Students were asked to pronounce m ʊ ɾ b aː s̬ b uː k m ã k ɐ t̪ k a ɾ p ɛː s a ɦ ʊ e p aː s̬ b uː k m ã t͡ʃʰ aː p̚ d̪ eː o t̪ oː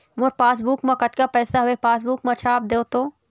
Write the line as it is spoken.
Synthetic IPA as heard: m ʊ ɾ p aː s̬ b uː k m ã k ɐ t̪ k a p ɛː s a ɦ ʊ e p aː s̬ b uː k m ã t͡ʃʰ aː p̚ d̪ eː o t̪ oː